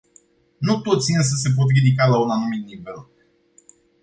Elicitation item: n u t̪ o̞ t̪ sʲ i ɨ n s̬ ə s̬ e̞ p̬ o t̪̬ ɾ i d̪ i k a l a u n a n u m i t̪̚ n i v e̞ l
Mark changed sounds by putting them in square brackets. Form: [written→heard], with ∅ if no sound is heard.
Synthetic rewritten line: n u t̪ o̞ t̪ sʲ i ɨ n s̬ ə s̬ e̞ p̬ o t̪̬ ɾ i d̪ i k a l a u n a n u m i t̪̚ n i v e̞ l